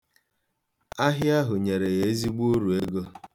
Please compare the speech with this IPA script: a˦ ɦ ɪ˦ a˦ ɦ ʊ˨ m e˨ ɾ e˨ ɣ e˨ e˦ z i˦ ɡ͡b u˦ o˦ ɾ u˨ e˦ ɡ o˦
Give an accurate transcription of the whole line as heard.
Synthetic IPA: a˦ ɦ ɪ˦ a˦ ɦ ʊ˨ ɲ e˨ ɾ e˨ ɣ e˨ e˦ z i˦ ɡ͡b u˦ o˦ ɾ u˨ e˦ ɡ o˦